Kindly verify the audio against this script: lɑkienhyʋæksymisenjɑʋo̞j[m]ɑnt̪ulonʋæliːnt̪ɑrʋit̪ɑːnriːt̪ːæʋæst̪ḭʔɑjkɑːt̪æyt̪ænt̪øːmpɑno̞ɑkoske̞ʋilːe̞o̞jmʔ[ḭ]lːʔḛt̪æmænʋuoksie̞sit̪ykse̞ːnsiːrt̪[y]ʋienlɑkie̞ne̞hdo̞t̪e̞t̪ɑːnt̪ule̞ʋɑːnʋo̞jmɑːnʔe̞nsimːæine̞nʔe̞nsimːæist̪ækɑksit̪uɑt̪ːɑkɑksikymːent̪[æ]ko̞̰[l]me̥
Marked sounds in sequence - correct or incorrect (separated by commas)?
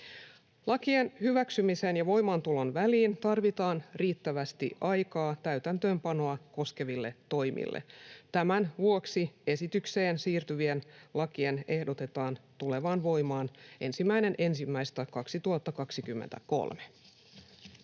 correct, correct, correct, correct, correct